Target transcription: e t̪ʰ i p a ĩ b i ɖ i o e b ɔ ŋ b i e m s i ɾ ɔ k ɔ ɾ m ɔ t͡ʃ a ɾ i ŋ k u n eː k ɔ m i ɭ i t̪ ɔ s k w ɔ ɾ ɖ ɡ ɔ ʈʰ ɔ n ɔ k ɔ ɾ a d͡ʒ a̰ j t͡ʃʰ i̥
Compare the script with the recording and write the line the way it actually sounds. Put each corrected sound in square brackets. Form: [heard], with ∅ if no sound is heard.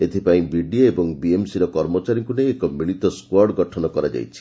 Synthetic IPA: e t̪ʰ i p a ĩ b i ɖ i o e b ɔ ŋ b i e m s i ɾ ɔ k ɔ ɾ m ɔ t͡ʃ a ɾ i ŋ k u n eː k ɔ m i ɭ i t̪ ɔ s k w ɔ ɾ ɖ ɡ ɔ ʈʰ ɔ n ɔ k ɔ ɾ a d͡ʒ a̰ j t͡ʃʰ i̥